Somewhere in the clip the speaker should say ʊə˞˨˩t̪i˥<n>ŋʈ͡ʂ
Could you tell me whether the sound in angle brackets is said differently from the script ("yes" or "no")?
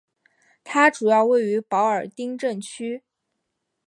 yes